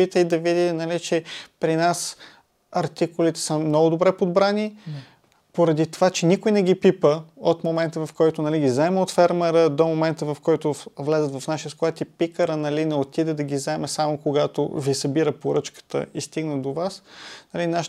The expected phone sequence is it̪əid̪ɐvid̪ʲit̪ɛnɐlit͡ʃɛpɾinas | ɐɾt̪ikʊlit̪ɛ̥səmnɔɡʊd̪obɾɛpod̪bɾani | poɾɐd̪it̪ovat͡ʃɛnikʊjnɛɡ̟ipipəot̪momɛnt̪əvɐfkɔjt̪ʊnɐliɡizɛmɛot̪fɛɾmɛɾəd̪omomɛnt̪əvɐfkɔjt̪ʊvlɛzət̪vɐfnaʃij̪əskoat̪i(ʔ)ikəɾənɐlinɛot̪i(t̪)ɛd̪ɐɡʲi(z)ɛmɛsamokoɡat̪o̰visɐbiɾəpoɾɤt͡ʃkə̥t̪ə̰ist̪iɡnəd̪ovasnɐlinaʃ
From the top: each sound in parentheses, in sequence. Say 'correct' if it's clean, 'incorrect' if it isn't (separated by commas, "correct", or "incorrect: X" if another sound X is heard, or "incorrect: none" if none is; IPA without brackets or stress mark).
incorrect: p, incorrect: d̪, correct